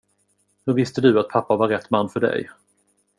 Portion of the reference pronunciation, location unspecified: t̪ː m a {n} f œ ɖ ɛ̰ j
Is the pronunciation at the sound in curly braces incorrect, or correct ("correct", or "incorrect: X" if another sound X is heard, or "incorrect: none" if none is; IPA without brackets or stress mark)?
incorrect: nː